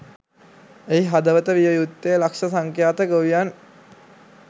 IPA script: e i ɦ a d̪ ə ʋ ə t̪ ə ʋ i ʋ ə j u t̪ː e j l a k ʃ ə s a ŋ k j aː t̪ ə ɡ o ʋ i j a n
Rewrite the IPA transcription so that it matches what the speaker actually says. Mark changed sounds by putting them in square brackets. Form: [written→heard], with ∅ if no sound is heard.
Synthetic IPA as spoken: e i ɦ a d̪ ə ʋ ə t̪ ə ʋ i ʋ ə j u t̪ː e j l a k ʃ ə s a ŋ k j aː t̪ ə ɡ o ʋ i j a n